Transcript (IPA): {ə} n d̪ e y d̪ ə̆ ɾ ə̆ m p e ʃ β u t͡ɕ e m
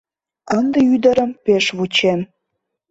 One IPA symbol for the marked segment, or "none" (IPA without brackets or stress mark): ə